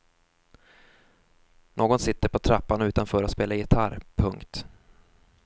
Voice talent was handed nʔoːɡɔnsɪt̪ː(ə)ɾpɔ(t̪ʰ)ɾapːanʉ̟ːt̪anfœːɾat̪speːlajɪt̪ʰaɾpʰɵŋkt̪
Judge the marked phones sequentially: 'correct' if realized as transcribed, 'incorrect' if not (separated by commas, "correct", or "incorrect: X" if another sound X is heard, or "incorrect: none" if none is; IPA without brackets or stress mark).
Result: correct, correct